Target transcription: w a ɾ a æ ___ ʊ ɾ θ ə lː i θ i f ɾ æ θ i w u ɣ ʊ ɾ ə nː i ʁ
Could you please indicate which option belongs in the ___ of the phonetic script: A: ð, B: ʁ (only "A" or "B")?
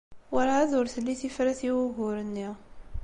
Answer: A